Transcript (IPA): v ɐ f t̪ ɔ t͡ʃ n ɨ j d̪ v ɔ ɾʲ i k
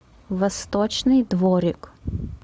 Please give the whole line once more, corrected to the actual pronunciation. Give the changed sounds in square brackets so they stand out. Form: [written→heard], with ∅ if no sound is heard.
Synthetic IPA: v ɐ [f→s] t̪ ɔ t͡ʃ n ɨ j d̪ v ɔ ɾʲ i k